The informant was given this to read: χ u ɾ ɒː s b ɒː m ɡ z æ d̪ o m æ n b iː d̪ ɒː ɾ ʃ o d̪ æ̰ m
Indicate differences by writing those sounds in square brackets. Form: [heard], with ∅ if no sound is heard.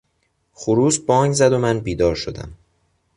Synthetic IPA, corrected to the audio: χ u ɾ [uː] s b ɒː [ŋ] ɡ z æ d̪ o m æ n b iː d̪ ɒː ɾ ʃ o d̪ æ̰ m